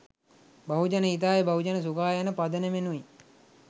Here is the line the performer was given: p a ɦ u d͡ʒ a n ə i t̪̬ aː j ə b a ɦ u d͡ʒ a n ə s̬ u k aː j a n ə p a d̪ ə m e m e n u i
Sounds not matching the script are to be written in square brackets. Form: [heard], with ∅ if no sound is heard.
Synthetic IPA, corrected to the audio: [b] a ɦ u d͡ʒ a n ə i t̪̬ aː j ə b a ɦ u d͡ʒ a n ə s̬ u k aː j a n ə p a d̪ ə [n] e m e n u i